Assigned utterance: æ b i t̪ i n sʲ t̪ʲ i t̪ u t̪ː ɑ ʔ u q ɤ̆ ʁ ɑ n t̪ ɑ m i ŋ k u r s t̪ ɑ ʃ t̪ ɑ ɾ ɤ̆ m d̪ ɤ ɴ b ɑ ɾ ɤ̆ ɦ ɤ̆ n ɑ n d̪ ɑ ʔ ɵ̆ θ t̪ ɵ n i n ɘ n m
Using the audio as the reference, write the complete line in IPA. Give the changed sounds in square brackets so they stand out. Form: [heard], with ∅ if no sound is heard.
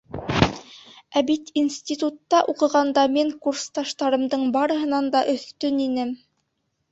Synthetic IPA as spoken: æ b i t̪ i n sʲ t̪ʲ i t̪ u t̪ː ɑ ʔ u q ɤ̆ ʁ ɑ n [d̪] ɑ m i ŋ k u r s t̪ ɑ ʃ t̪ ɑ ɾ ɤ̆ m d̪ ɤ ɴ b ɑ ɾ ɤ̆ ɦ ɤ̆ n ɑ n d̪ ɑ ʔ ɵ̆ θ t̪ ɵ n i n ɘ [∅] m